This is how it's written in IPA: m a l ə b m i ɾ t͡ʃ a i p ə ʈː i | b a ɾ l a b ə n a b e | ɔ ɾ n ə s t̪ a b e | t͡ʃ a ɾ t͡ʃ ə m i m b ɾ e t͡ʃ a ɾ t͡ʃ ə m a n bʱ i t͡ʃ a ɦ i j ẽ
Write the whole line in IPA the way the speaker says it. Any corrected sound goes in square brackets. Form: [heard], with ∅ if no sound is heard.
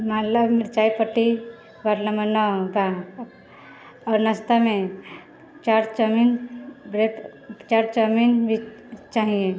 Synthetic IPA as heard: m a l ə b m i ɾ t͡ʃ a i p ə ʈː i | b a ɾ l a [m] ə n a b [a] | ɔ ɾ n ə s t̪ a [m] e | t͡ʃ a ɾ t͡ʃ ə m i [n] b ɾ e t͡ʃ a ɾ t͡ʃ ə m [i] n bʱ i t͡ʃ a ɦ i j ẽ